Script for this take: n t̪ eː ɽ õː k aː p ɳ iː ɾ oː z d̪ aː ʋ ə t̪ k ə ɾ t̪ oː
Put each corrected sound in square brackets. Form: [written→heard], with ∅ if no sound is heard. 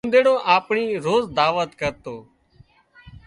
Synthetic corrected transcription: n [t̪→d̪] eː ɽ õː [k→ʔ] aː p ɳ iː ɾ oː z d̪ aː ʋ ə t̪ k ə ɾ t̪ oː